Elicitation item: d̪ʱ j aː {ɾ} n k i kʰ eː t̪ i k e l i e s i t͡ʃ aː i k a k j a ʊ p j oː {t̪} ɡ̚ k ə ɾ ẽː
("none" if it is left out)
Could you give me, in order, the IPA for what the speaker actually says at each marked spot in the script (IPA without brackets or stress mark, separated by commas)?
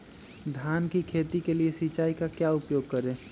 none, none